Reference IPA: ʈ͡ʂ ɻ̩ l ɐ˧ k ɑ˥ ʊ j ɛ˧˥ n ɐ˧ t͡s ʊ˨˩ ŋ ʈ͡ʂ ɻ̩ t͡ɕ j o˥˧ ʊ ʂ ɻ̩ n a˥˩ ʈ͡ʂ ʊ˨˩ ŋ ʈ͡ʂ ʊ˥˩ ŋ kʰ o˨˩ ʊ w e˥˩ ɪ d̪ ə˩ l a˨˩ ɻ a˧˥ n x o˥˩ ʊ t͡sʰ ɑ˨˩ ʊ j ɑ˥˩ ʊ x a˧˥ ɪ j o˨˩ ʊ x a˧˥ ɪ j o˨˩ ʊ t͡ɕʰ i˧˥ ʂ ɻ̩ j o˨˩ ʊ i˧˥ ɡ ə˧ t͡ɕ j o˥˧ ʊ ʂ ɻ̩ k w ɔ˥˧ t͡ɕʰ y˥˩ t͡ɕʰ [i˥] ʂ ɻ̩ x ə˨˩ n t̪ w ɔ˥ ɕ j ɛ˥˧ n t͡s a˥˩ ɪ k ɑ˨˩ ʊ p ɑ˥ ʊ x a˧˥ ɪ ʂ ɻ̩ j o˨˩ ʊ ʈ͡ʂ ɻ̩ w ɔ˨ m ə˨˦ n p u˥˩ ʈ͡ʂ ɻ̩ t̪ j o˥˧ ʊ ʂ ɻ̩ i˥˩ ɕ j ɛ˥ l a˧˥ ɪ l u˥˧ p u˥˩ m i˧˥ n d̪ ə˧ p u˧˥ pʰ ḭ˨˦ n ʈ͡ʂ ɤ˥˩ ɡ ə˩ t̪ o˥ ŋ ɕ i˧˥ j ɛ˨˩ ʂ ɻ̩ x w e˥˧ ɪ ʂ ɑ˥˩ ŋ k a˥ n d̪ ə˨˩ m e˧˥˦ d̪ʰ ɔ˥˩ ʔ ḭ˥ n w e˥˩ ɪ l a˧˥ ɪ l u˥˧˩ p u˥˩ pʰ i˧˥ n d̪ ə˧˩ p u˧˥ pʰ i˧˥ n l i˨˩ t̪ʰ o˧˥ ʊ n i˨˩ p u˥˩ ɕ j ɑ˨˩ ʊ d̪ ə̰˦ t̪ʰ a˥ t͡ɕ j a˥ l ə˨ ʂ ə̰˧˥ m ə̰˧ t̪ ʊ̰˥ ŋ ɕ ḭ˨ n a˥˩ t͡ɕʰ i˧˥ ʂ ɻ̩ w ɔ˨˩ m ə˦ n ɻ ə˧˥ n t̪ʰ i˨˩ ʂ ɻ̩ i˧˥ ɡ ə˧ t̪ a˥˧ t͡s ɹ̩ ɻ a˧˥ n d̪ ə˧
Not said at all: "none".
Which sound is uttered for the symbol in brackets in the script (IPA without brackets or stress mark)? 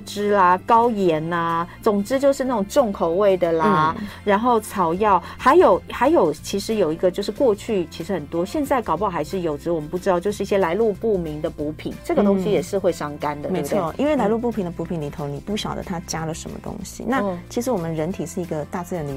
i˧˥